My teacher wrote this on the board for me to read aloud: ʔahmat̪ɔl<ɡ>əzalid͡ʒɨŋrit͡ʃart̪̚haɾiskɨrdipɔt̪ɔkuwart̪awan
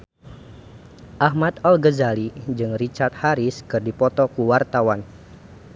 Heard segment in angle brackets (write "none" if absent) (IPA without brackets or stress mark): ɡ